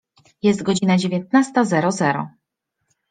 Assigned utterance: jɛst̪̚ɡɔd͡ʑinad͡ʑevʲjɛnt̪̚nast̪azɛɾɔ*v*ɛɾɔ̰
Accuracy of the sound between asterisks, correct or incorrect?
incorrect